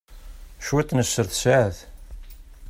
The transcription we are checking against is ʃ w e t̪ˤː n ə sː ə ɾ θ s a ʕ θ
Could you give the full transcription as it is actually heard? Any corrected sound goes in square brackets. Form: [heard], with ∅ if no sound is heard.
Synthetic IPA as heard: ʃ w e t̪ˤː n ə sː ə ɾ θ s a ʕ θ